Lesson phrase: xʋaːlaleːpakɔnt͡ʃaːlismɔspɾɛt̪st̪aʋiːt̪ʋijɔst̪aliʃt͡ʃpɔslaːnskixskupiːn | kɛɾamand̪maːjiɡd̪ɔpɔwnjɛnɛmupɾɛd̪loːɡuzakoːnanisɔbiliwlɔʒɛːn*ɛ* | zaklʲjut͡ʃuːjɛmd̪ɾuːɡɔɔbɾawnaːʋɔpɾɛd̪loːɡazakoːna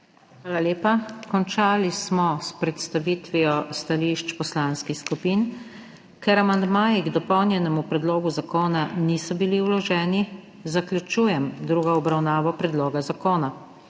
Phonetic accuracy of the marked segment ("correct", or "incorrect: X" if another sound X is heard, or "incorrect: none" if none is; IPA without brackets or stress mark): incorrect: i